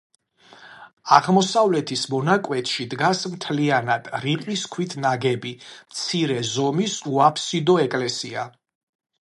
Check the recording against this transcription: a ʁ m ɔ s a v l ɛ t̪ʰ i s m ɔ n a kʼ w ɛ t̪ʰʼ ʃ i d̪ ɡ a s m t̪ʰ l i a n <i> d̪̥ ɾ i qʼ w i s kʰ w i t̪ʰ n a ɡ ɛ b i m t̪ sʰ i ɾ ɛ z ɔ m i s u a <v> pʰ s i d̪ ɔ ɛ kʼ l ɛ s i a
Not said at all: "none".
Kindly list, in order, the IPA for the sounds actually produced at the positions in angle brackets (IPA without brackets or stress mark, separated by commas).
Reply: a, none